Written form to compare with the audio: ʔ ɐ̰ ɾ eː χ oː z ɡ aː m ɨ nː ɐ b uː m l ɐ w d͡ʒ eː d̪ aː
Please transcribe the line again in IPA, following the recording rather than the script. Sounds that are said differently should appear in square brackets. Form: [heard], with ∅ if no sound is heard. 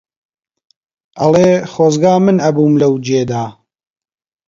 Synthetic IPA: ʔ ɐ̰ [l] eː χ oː z ɡ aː m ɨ [n] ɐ b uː m l ɐ w d͡ʒ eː d̪ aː